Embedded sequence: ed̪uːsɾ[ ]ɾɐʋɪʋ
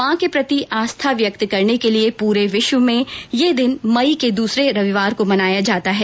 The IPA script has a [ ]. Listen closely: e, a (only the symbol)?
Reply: e